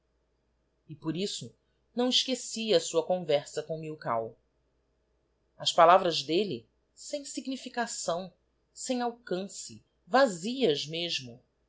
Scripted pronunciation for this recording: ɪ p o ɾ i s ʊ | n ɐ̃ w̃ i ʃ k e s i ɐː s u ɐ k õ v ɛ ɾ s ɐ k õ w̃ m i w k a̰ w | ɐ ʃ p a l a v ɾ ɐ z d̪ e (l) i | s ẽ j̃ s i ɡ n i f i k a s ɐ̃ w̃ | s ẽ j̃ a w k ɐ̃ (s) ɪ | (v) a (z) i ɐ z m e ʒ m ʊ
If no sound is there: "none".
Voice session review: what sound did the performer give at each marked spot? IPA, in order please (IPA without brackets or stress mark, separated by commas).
l, s, v, z